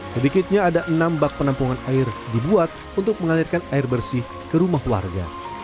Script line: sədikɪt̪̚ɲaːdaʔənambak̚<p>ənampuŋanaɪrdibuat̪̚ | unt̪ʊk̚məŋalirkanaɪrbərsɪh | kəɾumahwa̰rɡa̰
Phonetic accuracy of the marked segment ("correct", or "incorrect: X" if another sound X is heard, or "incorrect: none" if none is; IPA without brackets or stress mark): correct